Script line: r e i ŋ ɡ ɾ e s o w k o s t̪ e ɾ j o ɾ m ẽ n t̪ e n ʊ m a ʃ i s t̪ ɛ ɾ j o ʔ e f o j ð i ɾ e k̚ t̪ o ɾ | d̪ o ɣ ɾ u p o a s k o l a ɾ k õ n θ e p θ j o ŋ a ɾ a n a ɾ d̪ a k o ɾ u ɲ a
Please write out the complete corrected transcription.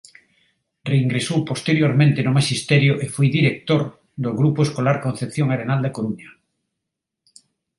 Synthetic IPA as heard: r e i ŋ ɡ ɾ e s o w p o s t̪ e ɾ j o ɾ m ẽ n t̪ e n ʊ m a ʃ i s t̪ ɛ ɾ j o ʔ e f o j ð i ɾ e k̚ t̪ o ɾ | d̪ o ɣ ɾ u p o e s k o l a ɾ k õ n θ e p θ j o ŋ a ɾ e n a l d̪ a k o ɾ u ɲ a